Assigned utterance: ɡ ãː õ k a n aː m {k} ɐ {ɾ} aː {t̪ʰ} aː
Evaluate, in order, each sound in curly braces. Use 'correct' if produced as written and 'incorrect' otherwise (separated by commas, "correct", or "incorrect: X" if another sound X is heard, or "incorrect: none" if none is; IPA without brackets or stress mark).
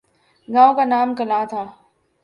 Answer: correct, incorrect: l, correct